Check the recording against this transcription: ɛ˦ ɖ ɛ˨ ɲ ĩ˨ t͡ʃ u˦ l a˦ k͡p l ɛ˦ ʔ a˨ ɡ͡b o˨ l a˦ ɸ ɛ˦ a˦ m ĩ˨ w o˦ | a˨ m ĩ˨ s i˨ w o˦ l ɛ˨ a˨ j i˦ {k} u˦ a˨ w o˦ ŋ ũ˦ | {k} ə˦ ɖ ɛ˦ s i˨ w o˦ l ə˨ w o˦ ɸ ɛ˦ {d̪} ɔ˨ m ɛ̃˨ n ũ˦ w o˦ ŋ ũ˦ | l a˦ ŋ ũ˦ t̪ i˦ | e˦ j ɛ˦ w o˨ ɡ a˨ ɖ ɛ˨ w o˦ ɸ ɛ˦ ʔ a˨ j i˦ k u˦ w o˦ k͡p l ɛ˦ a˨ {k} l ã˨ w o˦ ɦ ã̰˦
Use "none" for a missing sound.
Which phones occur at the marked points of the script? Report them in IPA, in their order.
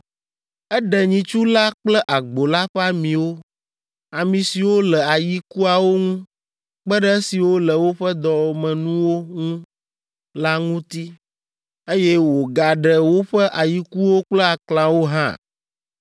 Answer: k, k͡p, d̪, k

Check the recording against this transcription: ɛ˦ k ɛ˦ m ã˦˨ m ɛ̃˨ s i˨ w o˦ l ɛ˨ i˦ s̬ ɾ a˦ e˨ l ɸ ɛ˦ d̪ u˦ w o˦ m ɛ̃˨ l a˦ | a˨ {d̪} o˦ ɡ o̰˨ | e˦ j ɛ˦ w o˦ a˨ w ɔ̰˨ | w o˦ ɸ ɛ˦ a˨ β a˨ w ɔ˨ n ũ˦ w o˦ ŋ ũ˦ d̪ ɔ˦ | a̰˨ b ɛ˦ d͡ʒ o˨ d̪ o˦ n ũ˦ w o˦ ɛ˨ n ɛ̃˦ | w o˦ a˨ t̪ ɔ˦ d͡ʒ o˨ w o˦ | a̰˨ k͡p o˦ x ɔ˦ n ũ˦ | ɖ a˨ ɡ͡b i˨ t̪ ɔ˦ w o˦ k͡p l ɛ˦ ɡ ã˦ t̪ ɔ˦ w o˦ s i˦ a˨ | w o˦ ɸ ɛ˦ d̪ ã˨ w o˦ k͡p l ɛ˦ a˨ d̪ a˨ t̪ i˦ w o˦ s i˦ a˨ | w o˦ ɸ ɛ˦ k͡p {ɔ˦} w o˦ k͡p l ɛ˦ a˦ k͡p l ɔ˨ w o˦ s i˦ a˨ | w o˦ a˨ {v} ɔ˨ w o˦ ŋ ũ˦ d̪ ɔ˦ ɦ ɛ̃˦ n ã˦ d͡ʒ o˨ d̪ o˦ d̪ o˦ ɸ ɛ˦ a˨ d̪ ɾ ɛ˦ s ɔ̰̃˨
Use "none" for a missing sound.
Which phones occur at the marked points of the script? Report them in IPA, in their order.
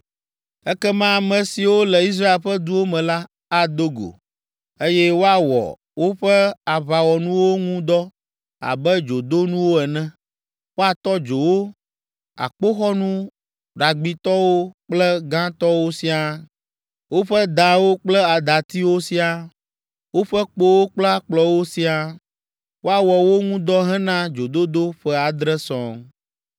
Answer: d̪, o˦, w

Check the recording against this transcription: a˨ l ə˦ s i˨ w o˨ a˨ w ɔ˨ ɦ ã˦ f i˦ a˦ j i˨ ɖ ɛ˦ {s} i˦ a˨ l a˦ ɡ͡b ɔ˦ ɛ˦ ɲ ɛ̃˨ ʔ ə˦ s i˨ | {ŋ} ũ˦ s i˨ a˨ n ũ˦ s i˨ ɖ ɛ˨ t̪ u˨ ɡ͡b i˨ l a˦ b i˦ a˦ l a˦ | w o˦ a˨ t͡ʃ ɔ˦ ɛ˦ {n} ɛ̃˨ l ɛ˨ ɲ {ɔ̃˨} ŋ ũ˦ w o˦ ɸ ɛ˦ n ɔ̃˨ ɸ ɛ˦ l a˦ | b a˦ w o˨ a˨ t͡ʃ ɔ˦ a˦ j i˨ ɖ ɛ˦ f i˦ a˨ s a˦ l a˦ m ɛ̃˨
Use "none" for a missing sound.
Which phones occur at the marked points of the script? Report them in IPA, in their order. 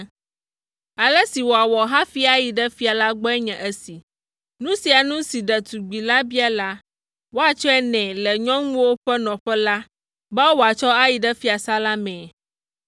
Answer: f, n, n, ɔ̃˦

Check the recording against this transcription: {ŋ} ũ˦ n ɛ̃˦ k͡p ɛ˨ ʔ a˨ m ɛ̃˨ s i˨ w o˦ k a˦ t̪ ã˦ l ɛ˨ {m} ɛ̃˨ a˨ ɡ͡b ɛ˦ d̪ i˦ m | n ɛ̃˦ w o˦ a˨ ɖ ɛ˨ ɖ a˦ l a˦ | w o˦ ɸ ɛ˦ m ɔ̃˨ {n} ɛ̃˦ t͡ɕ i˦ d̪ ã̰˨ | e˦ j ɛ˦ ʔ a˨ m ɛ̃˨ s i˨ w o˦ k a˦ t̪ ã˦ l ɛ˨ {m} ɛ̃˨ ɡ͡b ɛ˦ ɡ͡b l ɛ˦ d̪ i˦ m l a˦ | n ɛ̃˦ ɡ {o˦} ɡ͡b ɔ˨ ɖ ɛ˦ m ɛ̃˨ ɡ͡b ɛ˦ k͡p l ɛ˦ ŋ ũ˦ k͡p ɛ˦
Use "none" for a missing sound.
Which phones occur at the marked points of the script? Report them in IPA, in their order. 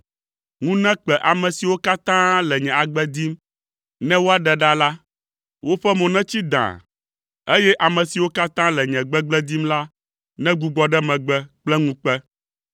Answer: ŋ, ɲ, n, ɲ, u˦

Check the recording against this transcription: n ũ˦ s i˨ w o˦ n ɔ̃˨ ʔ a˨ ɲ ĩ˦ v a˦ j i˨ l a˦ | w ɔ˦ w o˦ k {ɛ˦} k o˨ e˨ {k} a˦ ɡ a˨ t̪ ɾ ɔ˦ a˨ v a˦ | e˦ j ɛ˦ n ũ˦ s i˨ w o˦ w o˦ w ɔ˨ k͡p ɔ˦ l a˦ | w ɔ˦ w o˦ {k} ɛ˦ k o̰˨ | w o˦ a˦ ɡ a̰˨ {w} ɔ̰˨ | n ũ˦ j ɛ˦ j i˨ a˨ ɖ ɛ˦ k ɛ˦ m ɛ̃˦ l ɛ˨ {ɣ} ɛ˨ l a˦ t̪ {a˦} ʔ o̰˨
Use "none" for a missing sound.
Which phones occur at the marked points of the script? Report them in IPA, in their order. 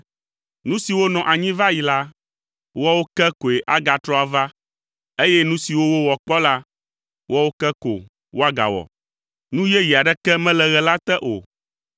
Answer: ɛ˦, ʔ, k, w, ɣ, ɛ˦

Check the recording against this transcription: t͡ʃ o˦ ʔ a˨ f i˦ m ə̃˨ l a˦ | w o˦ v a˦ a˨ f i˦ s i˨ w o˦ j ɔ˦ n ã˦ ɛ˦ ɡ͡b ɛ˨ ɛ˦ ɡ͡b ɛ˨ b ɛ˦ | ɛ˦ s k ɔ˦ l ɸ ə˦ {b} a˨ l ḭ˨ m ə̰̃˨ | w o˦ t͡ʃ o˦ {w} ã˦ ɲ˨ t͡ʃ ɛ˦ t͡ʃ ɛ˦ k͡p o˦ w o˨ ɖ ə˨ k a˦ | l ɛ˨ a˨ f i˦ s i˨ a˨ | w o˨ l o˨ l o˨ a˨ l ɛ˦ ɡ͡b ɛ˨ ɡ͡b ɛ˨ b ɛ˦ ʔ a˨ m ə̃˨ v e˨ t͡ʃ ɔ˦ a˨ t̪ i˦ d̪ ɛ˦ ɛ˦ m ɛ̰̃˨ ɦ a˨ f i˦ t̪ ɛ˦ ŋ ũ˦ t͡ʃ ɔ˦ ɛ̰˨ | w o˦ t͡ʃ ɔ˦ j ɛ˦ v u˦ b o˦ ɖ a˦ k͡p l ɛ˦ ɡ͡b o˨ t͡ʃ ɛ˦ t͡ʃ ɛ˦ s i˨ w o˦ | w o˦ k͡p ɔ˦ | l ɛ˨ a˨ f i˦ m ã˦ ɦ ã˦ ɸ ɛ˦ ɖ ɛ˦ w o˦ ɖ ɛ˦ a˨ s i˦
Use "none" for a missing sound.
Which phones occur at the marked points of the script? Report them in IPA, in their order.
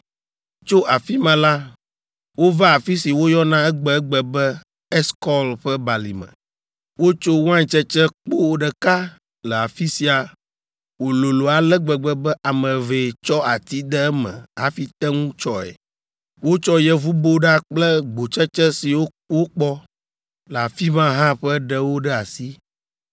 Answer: b, w

